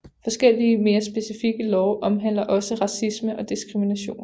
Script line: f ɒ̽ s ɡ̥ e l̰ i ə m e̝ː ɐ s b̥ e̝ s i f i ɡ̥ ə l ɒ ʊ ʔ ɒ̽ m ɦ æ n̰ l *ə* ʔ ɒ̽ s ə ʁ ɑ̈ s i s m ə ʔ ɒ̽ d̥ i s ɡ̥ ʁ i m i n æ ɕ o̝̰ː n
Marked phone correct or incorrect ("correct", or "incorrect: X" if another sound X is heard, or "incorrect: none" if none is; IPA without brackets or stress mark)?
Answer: incorrect: ɐ